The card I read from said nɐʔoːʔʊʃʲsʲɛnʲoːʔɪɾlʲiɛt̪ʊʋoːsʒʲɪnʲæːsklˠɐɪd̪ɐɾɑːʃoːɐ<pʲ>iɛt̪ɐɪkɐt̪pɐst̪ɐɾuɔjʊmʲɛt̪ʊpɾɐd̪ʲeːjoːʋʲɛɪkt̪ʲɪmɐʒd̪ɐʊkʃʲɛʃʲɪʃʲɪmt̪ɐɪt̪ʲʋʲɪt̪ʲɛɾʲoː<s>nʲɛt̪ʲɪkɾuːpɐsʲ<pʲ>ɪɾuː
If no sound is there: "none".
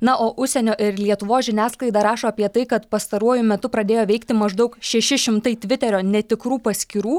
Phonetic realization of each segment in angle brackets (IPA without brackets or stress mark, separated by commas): pʲ, none, kʲ